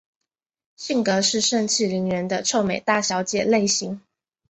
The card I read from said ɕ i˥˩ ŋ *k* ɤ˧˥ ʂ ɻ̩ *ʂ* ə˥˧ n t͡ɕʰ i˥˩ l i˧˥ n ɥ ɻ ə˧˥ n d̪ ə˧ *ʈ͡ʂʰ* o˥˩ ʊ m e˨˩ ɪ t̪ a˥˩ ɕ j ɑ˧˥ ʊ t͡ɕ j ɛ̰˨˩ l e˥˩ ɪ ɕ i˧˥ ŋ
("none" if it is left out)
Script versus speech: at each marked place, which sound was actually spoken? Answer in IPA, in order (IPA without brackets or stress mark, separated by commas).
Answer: k, ʂ, ʈ͡ʂʰ